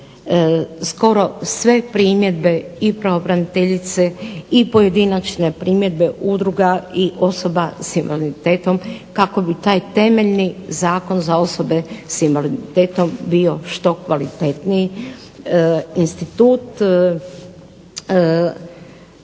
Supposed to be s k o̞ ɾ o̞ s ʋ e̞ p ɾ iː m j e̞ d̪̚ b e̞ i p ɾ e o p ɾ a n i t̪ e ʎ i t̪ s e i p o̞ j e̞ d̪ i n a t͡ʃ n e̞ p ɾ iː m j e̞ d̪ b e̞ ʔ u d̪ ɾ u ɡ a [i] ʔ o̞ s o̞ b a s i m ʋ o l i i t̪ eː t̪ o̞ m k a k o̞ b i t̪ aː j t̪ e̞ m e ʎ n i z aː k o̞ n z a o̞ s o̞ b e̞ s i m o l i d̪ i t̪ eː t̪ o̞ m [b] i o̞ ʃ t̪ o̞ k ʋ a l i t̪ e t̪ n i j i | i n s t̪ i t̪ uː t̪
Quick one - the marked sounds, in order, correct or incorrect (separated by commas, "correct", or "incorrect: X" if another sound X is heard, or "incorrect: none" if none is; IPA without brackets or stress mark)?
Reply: correct, correct